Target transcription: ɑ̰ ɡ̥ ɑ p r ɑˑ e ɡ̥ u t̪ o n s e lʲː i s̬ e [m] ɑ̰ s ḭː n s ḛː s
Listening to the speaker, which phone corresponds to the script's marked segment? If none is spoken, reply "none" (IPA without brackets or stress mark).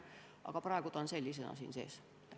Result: n